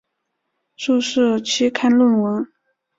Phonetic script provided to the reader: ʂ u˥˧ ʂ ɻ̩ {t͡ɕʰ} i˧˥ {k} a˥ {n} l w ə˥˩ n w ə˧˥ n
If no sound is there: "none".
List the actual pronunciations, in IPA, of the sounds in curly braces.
t͡ɕʰ, kʰ, n

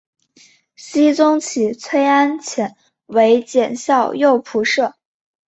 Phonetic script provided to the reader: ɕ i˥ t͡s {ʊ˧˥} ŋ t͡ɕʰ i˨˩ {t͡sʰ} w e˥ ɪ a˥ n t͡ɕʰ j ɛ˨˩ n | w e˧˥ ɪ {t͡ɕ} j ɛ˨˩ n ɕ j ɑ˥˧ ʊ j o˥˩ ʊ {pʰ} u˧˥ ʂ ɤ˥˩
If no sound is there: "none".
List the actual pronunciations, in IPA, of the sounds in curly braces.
ʊ˥, t͡sʰ, t͡ɕ, pʰ

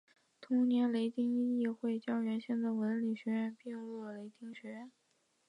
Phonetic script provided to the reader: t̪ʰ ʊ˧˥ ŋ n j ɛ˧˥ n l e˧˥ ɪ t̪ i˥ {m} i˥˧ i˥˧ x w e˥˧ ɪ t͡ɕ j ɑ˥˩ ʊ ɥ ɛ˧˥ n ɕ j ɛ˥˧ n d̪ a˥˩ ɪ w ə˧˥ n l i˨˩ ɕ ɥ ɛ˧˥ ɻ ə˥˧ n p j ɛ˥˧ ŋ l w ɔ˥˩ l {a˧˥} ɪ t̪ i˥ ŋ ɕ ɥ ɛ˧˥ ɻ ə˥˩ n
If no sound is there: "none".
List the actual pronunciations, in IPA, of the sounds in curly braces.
ŋ, e˧˥

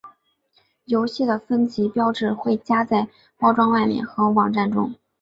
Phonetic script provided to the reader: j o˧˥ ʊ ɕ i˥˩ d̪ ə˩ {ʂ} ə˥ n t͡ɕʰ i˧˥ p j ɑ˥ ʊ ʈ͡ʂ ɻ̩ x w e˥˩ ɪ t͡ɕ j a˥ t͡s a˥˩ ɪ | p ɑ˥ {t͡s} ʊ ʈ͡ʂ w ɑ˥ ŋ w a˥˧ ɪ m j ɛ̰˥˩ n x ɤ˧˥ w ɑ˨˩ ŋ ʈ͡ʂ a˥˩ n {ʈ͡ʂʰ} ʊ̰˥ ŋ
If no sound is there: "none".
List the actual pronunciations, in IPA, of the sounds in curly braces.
f, none, ʈ͡ʂ

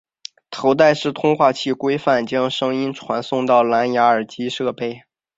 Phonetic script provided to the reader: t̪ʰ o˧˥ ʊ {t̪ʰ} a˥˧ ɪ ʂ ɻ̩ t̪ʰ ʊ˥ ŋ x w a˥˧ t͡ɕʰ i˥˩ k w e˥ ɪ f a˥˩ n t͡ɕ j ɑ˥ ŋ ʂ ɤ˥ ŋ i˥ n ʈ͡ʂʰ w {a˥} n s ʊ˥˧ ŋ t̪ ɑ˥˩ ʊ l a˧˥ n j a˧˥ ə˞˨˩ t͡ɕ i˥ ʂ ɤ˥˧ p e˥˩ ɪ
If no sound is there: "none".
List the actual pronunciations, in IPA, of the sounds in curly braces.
t̪, a˧˥

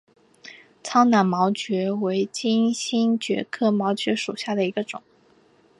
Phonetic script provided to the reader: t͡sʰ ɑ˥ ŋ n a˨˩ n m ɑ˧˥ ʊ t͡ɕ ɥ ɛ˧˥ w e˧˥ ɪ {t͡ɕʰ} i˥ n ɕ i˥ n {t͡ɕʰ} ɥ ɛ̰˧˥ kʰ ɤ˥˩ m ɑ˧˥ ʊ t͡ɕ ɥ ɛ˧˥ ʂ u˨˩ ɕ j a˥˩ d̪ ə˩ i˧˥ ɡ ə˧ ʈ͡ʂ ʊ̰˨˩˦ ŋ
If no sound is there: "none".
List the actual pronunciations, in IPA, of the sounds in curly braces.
t͡ɕ, t͡ɕ

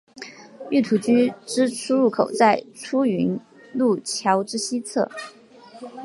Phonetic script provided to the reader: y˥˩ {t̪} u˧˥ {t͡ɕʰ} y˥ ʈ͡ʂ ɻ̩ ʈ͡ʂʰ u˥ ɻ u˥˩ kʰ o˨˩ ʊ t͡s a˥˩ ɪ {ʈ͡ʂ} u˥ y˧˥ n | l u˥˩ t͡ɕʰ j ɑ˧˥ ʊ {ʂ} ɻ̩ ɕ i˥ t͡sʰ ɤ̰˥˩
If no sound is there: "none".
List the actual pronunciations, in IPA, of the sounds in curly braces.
t̪ʰ, t͡ɕ, ʈ͡ʂʰ, ʈ͡ʂ

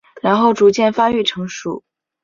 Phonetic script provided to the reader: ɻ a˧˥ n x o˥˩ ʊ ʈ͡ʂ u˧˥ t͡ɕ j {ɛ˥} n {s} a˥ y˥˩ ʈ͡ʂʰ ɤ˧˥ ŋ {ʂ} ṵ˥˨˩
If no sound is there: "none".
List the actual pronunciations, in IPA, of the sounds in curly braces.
ɛ˥˩, f, ʂ

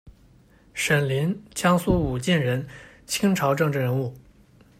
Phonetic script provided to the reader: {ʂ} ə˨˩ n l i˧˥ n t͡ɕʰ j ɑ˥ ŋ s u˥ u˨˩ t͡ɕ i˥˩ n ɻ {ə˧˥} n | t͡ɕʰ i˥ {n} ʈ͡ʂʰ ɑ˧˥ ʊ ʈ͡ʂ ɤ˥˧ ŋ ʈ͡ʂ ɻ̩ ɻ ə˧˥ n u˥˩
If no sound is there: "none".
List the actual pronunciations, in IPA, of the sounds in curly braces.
ʂ, ə˧˥, ŋ

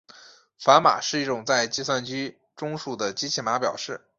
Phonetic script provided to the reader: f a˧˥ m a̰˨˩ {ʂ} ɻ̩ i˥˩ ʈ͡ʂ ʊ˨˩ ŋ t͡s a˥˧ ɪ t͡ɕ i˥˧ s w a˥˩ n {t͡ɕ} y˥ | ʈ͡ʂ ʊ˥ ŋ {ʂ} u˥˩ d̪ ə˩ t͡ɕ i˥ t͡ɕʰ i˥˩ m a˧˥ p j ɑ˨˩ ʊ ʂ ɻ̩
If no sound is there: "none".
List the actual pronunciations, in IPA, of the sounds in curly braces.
ʂ, t͡ɕ, ʂ

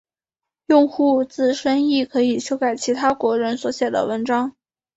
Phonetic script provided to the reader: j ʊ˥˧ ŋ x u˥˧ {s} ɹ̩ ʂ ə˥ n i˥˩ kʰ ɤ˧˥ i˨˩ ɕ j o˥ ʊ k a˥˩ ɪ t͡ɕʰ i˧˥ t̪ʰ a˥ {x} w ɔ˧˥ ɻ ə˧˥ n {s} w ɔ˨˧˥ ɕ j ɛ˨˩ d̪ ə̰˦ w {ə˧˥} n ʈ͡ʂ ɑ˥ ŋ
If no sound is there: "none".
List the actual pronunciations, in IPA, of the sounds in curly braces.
t͡s, k, s, ə˧˥

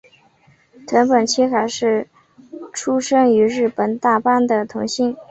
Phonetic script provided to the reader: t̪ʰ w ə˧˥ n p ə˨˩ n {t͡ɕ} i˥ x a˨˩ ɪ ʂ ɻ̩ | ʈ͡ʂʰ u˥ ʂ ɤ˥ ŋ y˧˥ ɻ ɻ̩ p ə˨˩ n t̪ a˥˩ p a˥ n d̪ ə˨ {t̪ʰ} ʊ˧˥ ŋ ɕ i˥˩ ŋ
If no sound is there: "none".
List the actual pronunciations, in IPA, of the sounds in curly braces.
t͡ɕʰ, t̪ʰ

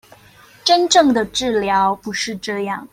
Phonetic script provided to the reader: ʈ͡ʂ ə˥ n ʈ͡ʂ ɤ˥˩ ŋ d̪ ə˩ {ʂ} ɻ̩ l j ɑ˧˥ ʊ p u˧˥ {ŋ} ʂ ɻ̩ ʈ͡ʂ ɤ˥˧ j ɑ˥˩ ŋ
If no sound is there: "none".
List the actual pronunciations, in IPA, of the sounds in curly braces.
ʈ͡ʂ, none

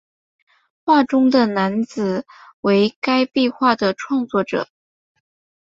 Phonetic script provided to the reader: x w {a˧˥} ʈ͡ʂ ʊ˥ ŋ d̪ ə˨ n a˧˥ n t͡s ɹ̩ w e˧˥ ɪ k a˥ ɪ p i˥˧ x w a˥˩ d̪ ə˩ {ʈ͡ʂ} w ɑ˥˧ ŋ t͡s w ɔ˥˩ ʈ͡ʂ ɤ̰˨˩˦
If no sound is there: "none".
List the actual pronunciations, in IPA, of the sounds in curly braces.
a˥˩, ʈ͡ʂʰ

